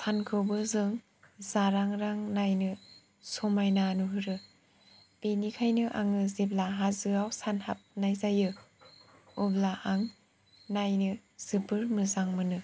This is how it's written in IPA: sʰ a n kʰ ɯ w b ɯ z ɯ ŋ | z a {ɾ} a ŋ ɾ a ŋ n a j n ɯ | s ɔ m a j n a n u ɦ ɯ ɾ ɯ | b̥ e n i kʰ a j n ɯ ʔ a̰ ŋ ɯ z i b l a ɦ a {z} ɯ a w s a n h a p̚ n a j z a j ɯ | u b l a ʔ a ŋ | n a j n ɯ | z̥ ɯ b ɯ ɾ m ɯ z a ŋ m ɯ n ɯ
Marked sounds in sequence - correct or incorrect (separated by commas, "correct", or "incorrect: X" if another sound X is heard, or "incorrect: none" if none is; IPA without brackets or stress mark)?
correct, correct